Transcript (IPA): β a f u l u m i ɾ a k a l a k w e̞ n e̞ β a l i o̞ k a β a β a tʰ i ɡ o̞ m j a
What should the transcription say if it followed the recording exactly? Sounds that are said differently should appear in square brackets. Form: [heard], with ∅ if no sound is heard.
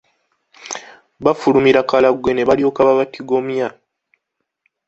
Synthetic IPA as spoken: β a f u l u m i ɾ a k a l a [ɡ] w e̞ n e̞ β a l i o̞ k a β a β a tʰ i ɡ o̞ m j a